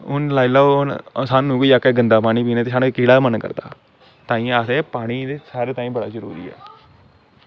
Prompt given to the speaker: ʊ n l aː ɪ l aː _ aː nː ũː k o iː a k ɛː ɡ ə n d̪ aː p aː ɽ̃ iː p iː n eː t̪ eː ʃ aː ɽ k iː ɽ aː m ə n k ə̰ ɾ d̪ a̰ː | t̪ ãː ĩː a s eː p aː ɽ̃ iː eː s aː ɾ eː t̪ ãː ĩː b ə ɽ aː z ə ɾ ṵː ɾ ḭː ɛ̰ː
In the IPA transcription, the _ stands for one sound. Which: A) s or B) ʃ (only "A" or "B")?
A